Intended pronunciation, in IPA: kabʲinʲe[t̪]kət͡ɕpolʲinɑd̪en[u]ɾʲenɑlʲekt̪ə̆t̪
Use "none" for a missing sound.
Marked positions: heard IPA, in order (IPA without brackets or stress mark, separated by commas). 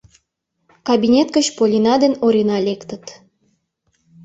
t̪, o